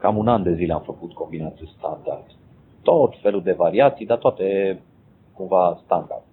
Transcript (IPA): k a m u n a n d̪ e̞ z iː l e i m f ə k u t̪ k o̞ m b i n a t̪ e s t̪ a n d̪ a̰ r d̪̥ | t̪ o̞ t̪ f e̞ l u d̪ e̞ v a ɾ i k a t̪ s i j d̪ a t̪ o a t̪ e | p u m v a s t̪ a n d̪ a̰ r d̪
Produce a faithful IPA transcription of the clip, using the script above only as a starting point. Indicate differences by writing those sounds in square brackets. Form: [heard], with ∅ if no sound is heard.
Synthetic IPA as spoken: k a m u n a n d̪ e̞ z [i] l e [a] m f ə k u t̪ k o̞ m b i n a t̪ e s t̪ a n d̪ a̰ r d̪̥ | t̪ o̞ t̪ f e̞ l u d̪ e̞ v a ɾ i [∅] a t̪ s i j d̪ a t̪ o a t̪ e | [k] u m v a s t̪ a n d̪ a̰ r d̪